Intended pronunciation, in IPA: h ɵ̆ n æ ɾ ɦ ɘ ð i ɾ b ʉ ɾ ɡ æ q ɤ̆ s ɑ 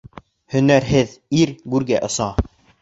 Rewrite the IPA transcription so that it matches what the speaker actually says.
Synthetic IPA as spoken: h ɵ̆ n æ ɾ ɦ ɘ ð i ɾ ɡ ʉ ɾ ɡ æ ʔ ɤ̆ s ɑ